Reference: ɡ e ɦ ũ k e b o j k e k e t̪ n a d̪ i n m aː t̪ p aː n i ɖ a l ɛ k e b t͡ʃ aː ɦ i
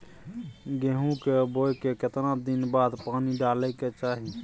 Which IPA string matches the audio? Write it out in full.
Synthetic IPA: ɡ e ɦ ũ k e b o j k e k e t̪ n a d̪ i n b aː d̪ p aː n i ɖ a l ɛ k e t͡ʃ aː ɦ i